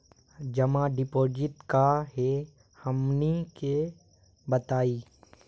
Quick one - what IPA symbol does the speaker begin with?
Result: d͡ʒ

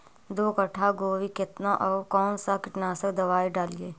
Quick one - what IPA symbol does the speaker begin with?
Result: d̪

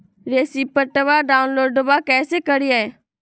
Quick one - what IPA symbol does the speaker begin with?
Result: ɾ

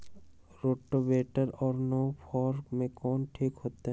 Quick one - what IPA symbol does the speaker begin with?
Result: ɾ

